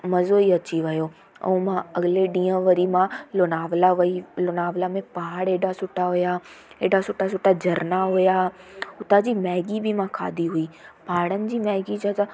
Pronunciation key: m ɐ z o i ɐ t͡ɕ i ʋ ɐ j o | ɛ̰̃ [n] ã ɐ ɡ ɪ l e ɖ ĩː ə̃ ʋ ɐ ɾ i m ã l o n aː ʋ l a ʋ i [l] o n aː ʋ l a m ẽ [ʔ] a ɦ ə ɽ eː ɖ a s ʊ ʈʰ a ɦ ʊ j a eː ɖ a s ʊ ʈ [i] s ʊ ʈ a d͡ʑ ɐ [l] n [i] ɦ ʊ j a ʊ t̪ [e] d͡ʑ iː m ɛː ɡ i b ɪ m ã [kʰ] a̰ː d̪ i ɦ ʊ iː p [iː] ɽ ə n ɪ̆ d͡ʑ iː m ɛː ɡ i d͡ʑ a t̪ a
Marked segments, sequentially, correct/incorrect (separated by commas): incorrect, correct, incorrect, incorrect, incorrect, incorrect, incorrect, correct, incorrect